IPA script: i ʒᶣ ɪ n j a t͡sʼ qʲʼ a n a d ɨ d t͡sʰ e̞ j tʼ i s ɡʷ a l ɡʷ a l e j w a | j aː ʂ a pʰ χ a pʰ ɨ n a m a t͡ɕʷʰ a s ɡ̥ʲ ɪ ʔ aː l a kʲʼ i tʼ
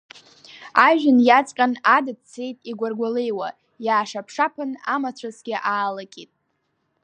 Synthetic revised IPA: a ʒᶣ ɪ n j a t͡sʼ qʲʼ a n a d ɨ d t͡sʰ e̞ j tʼ i ɡʷ a r ɡʷ a l e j w a | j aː ʂ a pʰ ʂ a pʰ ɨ n a m a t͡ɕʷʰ a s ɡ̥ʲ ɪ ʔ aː l a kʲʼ i tʼ